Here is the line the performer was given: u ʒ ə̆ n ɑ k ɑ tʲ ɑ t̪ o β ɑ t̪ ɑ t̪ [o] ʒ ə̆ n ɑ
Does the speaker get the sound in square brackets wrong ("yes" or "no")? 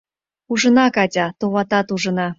yes